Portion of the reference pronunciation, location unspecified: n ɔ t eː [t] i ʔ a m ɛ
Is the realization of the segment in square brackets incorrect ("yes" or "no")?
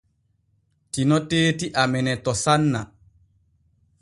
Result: no